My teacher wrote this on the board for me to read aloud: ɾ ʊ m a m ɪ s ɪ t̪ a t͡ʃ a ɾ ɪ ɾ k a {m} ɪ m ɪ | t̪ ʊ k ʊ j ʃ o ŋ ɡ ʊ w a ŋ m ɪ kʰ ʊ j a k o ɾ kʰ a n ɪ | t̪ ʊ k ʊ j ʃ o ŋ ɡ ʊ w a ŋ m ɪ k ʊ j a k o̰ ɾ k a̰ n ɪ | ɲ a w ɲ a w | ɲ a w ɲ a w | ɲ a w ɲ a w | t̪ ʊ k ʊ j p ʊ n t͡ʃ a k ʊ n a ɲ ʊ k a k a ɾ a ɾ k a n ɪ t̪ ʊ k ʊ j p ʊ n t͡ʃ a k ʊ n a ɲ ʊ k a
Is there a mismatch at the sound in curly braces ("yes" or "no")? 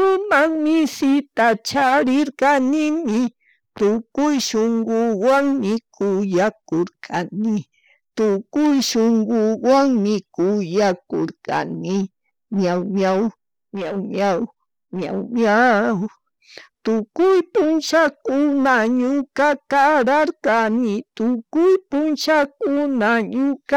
yes